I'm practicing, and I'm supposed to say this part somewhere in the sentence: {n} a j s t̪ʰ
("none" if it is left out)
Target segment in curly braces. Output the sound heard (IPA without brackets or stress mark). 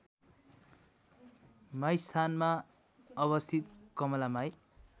m